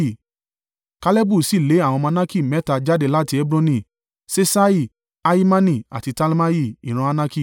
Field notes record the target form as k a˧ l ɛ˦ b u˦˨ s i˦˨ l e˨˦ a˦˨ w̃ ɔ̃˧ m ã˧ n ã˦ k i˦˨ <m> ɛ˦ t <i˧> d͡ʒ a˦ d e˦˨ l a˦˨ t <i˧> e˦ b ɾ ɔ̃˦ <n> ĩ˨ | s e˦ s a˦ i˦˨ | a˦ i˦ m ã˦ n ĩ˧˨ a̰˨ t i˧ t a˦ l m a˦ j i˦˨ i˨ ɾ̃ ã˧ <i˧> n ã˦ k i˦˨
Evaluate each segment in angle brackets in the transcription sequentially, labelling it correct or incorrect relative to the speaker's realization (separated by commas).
correct, incorrect, correct, correct, incorrect